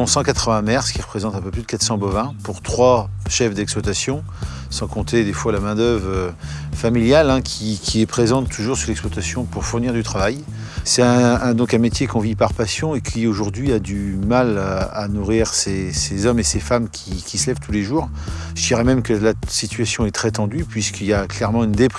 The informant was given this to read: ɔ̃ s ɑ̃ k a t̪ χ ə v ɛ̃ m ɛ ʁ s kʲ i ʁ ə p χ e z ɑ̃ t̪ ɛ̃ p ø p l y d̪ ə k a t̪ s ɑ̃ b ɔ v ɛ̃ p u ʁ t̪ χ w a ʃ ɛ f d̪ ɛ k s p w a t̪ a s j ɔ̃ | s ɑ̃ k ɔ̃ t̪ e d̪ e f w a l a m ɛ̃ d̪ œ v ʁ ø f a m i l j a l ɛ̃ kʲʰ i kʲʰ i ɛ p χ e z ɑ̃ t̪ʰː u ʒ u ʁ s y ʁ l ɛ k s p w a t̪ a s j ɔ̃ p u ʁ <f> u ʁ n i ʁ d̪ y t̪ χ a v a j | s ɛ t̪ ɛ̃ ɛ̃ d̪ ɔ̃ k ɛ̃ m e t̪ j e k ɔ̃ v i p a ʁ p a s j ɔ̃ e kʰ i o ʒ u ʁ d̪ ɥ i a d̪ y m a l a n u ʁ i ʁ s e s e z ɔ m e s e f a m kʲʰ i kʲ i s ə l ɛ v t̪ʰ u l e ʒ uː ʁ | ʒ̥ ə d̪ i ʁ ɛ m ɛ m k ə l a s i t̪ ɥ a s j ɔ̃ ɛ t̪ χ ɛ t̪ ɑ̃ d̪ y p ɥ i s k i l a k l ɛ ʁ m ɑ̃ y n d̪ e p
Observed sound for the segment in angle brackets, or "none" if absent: f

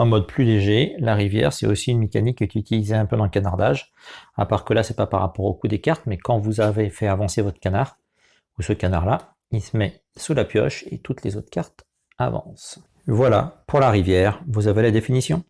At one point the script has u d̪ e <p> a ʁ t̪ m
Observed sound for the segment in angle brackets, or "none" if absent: k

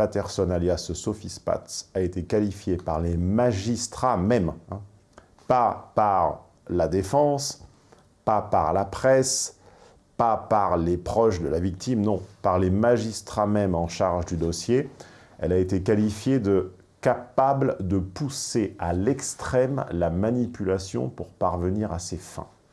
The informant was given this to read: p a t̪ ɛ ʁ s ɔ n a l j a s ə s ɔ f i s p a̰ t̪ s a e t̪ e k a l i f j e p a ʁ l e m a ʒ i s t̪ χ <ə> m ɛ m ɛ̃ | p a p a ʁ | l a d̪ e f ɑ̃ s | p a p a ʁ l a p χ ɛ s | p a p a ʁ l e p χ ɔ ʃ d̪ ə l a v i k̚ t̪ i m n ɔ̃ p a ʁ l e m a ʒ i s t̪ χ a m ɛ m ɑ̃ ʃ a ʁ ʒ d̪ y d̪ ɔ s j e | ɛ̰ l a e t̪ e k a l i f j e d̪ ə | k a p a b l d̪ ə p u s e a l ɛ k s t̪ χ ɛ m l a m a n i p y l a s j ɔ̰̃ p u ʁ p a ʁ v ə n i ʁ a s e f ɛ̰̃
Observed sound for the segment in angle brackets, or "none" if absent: a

